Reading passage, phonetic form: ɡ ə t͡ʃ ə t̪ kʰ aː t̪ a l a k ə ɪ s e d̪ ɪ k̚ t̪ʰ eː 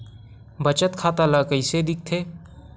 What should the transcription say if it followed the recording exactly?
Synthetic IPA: b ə t͡ʃ ə t̪ kʰ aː t̪ a l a k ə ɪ s e d̪ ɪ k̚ t̪ʰ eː